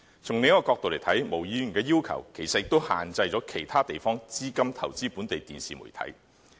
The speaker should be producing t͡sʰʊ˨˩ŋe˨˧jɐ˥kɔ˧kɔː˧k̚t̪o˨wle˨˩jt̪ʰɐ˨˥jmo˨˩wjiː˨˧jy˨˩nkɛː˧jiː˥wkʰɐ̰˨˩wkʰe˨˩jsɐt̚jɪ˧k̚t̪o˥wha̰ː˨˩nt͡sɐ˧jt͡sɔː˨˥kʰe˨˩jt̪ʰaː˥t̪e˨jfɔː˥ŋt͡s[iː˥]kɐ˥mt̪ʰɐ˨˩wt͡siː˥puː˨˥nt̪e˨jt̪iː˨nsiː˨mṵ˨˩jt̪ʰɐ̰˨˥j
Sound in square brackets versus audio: correct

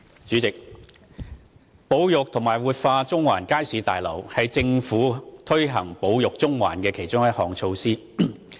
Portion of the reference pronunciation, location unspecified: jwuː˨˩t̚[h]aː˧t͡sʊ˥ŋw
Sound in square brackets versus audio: incorrect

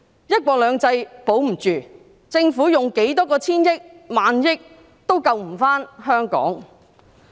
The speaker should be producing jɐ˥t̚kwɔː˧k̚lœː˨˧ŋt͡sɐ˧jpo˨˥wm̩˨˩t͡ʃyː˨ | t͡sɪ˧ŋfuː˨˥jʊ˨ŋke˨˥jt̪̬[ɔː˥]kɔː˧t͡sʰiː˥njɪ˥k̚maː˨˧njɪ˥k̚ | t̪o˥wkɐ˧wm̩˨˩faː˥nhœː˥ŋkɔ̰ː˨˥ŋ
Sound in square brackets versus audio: correct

